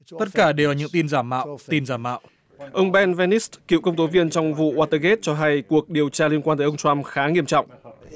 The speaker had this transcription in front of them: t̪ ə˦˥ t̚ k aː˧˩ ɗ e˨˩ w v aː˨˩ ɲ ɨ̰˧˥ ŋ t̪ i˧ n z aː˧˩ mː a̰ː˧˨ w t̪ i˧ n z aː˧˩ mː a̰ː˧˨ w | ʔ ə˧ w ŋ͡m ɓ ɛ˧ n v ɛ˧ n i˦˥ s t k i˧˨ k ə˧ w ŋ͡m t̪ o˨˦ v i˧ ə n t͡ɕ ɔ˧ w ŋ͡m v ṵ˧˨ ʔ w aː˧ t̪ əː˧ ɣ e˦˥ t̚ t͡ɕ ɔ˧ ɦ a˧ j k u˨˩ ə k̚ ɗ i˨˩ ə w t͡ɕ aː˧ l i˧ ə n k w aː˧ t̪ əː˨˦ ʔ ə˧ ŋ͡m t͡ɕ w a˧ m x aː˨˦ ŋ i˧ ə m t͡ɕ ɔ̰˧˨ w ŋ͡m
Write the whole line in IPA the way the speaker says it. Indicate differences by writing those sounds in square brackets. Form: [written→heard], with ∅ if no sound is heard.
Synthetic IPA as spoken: t̪ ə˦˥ t̚ k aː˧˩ ɗ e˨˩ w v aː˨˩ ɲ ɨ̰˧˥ ŋ t̪ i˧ n z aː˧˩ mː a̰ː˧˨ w t̪ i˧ n z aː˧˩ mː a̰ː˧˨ w | ʔ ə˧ w ŋ͡m ɓ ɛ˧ n v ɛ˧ n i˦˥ s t k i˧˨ k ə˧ w ŋ͡m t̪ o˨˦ v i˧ ə n t͡ɕ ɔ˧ w ŋ͡m v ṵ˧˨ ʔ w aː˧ t̪ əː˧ ɣ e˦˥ t̚ t͡ɕ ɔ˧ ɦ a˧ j k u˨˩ ə k̚ ɗ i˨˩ ə w t͡ɕ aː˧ l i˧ ə n k w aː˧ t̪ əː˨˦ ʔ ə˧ ŋ͡m t͡ɕ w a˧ m x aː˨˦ ŋ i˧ ə m t͡ɕ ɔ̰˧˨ w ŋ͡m